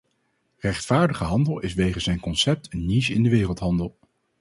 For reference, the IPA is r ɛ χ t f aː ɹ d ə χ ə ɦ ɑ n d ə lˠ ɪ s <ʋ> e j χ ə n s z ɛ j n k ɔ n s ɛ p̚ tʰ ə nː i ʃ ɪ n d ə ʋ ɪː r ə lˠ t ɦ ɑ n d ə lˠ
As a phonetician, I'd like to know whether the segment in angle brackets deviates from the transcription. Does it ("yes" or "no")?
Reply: no